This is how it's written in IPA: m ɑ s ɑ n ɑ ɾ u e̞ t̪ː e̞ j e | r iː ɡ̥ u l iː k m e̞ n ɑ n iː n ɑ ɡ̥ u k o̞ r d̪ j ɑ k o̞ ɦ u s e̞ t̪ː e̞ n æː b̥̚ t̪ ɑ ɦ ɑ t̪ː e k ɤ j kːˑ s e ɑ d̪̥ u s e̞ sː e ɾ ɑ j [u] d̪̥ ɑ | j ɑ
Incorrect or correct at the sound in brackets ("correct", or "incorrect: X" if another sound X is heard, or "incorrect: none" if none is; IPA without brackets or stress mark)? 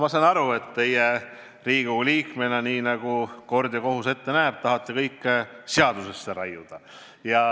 correct